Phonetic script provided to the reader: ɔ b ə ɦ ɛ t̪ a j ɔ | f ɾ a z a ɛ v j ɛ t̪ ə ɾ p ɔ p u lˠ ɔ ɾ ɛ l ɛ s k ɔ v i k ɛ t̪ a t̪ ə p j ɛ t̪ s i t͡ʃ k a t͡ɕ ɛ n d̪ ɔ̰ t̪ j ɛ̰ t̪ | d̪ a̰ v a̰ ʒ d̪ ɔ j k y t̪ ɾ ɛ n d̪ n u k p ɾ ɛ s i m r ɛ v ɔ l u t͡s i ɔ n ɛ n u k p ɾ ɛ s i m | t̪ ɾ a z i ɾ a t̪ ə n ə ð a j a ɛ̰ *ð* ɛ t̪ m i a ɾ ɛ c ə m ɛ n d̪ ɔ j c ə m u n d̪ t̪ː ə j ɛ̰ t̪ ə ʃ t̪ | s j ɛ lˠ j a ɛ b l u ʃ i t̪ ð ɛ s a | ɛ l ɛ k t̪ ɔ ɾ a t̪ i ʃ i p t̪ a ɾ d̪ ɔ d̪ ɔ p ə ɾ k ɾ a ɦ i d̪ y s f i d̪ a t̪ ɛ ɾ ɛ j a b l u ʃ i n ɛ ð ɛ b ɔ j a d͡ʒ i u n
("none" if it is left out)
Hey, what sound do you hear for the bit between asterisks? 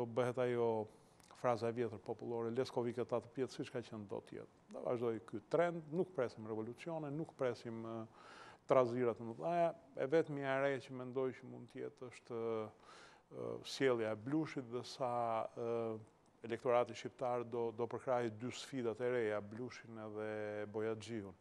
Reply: v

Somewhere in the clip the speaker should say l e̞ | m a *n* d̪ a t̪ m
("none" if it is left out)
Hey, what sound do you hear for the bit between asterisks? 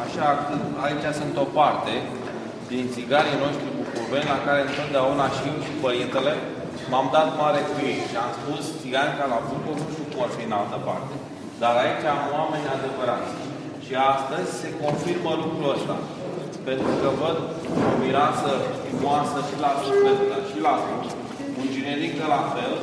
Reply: m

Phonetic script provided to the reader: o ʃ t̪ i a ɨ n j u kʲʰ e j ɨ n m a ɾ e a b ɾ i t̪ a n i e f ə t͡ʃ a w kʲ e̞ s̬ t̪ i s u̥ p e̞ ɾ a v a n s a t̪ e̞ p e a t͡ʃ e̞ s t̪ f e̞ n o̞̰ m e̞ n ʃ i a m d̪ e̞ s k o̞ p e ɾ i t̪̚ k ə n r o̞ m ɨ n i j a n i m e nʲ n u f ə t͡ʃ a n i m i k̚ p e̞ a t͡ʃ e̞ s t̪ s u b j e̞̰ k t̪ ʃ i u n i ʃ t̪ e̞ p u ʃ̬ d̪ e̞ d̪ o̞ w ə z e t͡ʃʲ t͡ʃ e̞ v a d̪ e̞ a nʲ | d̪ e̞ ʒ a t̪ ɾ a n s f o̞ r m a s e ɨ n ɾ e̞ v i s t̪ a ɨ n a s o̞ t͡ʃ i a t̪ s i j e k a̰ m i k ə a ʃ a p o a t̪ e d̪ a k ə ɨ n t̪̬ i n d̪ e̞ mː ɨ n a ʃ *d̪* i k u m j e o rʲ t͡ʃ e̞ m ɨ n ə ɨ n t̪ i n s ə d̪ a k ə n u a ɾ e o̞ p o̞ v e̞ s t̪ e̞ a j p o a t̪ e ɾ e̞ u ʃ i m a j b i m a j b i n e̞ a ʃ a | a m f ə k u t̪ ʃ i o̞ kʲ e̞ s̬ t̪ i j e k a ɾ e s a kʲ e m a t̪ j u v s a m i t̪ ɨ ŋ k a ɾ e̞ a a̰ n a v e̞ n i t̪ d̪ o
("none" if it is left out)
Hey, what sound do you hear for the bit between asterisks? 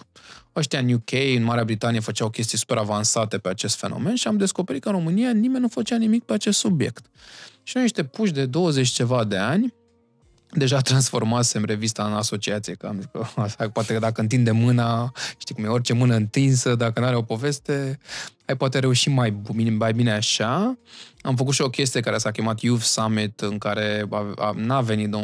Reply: t̪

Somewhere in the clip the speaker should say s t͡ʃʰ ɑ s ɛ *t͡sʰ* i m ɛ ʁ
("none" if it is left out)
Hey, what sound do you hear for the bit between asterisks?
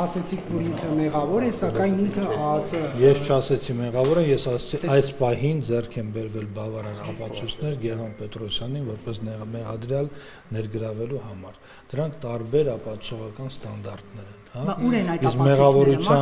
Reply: t͡sʰ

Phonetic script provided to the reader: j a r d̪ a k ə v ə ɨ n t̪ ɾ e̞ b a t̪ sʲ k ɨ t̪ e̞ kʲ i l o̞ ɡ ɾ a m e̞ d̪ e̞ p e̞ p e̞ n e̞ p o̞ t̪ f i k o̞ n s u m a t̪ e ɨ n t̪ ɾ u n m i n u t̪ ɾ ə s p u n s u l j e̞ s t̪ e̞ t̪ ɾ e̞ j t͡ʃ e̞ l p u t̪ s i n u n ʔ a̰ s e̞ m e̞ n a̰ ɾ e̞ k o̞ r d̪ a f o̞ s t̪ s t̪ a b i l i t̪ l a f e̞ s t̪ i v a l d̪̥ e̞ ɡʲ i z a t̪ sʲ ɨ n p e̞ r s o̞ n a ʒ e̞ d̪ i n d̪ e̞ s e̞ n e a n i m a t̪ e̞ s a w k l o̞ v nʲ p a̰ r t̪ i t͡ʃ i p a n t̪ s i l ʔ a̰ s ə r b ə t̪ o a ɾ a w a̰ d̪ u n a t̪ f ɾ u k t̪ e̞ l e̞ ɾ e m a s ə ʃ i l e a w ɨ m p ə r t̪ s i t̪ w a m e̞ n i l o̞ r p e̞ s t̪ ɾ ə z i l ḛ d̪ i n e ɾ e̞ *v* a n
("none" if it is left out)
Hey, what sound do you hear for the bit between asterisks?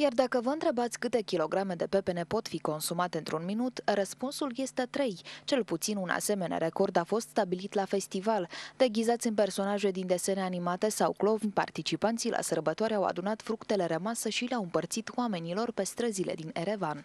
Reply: v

